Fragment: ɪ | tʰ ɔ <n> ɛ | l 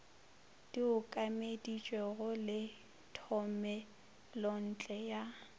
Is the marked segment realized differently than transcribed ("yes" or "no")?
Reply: yes